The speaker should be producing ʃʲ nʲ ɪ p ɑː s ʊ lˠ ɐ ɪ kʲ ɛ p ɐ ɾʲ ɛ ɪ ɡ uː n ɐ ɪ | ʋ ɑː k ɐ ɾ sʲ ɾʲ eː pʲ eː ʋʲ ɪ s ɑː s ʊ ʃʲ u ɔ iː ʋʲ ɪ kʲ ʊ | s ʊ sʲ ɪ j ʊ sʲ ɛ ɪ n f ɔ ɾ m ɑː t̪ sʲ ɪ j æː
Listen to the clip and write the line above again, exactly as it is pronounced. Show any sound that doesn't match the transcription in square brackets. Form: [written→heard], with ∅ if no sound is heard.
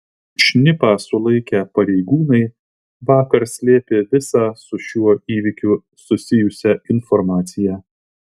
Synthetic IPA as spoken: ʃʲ nʲ ɪ p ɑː s ʊ lˠ ɐ ɪ kʲ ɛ p ɐ ɾʲ ɛ ɪ ɡ uː n ɐ ɪ | ʋ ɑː k ɐ ɾ sʲ [ɾʲ→lʲ] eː pʲ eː ʋʲ ɪ s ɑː s ʊ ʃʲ u ɔ iː ʋʲ ɪ kʲ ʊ | s ʊ sʲ ɪ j ʊ sʲ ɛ ɪ n f ɔ ɾ m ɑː t̪ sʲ ɪ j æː